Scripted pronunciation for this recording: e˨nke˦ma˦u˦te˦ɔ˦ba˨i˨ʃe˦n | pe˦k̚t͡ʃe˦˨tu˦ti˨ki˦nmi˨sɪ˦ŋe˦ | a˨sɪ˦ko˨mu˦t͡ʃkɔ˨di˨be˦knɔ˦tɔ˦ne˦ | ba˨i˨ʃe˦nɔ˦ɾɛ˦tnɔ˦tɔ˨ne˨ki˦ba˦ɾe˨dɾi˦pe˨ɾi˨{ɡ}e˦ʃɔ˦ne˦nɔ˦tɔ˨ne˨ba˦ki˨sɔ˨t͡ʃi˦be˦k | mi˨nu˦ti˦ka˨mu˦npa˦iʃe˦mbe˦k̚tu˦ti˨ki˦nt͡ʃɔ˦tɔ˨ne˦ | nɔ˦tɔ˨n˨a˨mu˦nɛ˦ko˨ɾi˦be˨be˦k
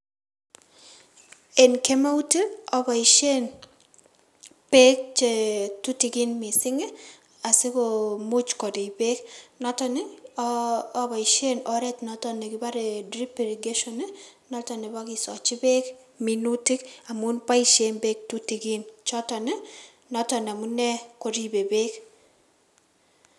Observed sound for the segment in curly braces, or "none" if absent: ɡ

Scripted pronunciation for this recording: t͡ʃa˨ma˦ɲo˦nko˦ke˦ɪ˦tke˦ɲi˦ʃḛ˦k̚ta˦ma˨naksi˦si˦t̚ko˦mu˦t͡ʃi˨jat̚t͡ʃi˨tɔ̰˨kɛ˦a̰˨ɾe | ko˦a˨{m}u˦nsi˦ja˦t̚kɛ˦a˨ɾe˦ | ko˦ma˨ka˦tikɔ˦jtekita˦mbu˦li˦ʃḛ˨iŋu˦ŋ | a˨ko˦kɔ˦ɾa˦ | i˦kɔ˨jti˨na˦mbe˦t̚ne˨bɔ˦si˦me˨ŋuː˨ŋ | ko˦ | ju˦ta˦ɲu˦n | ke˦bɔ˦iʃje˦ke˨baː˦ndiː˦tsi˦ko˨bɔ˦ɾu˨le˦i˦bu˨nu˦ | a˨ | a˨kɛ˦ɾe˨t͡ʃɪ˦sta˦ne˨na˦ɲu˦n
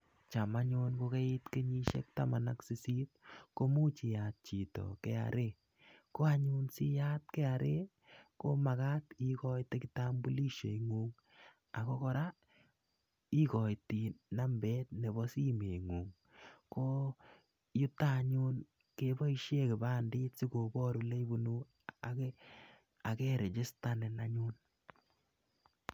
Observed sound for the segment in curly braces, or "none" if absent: ɲ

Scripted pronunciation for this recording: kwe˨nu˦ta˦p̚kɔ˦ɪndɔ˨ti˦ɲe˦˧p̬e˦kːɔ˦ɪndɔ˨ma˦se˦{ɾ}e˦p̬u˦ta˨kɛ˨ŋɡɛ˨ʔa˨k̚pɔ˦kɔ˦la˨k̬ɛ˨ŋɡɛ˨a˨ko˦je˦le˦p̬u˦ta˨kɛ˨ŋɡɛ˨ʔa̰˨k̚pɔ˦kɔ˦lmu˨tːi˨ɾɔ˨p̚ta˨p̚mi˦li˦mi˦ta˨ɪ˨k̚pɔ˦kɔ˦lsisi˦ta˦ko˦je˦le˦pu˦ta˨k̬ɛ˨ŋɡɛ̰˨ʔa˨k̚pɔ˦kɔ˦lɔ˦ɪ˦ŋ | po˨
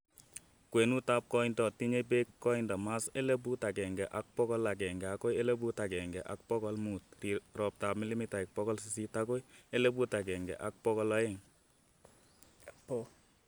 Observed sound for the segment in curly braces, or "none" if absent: l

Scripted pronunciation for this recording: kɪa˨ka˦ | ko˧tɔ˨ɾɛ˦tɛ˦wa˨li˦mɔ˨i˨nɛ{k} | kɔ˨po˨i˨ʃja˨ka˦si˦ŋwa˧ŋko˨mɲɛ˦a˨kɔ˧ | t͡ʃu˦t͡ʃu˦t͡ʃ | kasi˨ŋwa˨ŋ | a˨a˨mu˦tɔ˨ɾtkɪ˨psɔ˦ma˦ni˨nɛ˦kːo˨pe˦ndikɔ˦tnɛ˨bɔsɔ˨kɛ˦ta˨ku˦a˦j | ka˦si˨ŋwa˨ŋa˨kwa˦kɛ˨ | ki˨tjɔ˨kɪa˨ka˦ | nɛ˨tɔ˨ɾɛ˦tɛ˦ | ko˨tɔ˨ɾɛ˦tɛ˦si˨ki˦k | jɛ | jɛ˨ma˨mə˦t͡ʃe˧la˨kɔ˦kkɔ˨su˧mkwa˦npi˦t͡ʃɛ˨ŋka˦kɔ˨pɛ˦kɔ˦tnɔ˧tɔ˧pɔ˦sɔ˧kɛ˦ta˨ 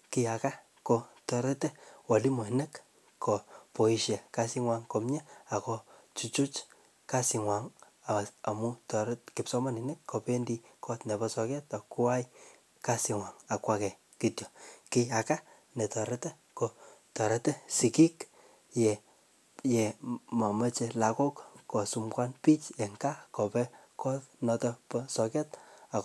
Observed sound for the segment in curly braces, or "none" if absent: k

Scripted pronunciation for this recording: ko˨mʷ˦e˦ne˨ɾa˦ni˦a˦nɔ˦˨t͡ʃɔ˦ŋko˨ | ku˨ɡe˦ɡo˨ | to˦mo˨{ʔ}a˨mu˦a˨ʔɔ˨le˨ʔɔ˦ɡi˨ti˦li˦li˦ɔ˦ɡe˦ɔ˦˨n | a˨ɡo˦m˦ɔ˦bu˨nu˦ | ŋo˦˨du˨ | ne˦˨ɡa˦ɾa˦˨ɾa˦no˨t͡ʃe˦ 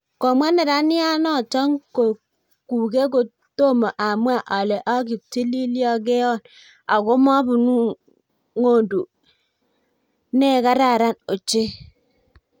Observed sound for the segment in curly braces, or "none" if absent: ʔ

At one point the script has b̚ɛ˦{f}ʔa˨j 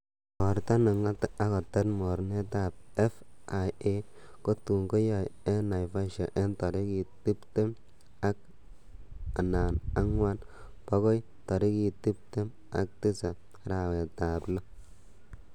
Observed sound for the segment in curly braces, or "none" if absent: f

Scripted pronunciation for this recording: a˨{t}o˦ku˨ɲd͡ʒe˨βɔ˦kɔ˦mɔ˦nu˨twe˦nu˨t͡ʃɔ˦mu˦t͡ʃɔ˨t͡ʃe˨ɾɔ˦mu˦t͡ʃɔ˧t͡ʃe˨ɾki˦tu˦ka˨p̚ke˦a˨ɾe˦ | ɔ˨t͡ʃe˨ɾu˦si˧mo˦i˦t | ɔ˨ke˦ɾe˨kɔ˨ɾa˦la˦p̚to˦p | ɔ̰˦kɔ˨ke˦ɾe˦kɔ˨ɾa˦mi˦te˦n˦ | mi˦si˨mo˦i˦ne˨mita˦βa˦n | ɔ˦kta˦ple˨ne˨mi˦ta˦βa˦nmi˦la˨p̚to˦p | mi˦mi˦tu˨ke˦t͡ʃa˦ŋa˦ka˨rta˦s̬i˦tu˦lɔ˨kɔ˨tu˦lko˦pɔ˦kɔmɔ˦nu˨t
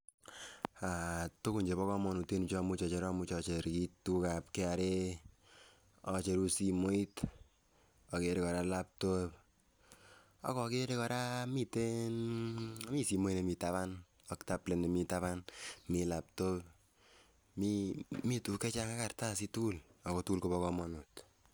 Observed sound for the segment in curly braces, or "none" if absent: t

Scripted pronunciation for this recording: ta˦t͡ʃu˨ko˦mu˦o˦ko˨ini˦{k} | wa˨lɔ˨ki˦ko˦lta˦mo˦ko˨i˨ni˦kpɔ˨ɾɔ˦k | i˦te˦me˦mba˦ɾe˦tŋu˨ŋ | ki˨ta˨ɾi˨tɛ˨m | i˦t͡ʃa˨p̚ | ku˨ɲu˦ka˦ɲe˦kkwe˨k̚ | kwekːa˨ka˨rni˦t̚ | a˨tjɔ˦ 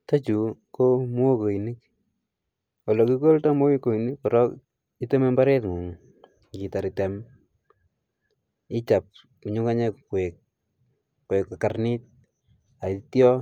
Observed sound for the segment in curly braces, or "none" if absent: k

